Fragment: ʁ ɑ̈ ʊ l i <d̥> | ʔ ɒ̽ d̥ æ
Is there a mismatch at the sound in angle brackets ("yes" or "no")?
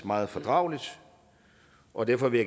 no